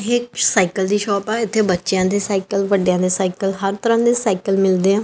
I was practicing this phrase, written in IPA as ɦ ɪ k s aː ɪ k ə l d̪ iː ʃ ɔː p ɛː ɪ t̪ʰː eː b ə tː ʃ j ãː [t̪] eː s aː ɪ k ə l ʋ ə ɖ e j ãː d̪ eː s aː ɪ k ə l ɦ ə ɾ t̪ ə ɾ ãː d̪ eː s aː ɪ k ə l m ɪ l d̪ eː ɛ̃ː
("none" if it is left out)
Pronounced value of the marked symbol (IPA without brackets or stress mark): d̪